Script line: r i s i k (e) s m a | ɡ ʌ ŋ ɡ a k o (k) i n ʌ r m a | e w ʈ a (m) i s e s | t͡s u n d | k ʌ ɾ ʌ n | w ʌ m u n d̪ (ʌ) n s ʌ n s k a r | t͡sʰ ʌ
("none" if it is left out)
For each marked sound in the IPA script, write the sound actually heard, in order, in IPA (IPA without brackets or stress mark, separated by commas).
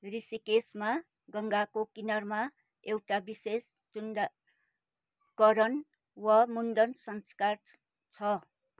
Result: e, k, b, ʌ